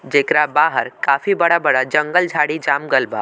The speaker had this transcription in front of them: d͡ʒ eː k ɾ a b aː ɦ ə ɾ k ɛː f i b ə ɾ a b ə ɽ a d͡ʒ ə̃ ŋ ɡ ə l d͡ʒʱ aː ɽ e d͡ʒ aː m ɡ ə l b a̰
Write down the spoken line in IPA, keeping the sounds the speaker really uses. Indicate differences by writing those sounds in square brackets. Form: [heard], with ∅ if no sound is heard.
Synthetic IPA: d͡ʒ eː k ɾ a b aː ɦ ə ɾ k [aː] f i b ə [ɽ] a b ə ɽ a d͡ʒ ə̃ ŋ ɡ ə l d͡ʒʱ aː ɽ [i] d͡ʒ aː m ɡ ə l b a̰